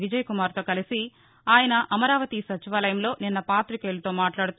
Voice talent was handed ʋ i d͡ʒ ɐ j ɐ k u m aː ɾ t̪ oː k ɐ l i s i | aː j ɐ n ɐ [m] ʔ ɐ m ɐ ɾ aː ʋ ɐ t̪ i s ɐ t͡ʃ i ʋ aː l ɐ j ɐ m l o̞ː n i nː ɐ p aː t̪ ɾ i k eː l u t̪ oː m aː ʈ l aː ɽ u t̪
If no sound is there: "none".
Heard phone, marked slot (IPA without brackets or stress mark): none